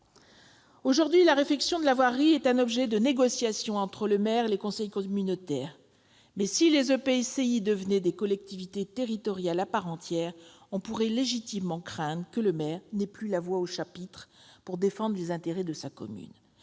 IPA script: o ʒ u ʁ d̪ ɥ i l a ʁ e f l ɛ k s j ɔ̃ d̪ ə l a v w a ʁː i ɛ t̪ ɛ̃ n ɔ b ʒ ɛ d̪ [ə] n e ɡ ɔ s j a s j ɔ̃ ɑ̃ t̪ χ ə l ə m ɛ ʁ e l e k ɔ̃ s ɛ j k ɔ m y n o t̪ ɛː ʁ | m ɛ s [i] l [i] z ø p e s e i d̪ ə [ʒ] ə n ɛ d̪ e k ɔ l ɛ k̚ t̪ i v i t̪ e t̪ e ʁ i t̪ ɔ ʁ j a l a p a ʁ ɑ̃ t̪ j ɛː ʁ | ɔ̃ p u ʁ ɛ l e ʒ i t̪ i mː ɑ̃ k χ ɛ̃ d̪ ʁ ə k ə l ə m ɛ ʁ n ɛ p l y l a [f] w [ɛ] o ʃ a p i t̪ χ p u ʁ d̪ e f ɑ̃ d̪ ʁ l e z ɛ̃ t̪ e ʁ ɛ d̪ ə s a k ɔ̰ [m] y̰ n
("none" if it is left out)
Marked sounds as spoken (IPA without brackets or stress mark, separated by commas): ə, i, e, v, v, a, m